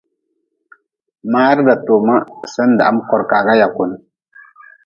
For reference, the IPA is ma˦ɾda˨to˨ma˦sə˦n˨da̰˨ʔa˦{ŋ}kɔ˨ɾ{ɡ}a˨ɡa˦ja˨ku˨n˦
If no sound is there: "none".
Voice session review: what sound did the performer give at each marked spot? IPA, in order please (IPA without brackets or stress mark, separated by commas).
m, k